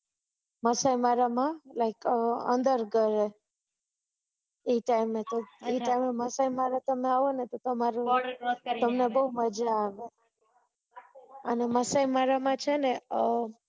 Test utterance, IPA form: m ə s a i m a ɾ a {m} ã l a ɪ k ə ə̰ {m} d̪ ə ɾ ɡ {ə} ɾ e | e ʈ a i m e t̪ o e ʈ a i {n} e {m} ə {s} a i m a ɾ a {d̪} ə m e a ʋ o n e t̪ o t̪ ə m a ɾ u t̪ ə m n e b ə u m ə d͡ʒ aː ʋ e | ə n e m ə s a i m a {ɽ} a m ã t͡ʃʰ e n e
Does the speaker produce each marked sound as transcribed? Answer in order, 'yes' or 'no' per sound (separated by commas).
yes, no, yes, no, yes, yes, no, no